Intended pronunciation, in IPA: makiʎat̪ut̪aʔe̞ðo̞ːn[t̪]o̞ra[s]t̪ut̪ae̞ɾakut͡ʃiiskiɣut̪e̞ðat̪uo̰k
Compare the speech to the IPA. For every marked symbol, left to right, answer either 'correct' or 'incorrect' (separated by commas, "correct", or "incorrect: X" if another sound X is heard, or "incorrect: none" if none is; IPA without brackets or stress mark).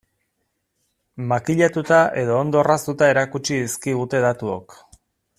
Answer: incorrect: d̪, correct